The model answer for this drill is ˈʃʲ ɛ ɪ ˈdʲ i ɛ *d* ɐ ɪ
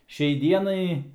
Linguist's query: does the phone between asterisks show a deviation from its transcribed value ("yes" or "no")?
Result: yes